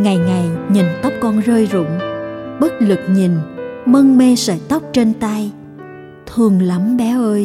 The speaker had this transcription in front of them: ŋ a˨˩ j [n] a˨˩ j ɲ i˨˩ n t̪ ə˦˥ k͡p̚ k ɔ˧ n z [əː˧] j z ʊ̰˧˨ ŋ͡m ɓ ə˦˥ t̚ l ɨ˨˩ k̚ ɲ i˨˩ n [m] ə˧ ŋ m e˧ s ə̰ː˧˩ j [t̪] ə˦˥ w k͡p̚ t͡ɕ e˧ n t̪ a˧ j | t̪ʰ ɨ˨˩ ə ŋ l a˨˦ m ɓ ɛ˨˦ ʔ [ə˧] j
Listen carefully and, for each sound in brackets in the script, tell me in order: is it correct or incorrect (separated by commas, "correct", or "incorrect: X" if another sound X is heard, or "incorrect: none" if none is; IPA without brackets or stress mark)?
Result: incorrect: ŋ, correct, correct, correct, incorrect: əː˧